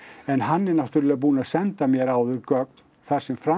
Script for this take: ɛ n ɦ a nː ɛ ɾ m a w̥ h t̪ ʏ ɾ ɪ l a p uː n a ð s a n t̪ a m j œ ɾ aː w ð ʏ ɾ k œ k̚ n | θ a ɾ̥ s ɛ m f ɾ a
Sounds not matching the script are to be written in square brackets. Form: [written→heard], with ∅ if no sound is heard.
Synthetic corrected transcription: ɛ n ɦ a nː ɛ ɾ [m→n] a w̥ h t̪ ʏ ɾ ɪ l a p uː n a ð s [a→ɛ] n t̪ a m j [œ→ɛ] ɾ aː w ð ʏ ɾ k œ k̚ n | θ a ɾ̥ s ɛ m f ɾ a